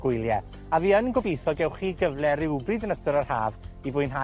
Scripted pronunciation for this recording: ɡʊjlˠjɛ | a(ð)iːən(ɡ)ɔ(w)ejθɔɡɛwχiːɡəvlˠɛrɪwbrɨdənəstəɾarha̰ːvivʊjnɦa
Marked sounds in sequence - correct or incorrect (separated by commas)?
incorrect, correct, incorrect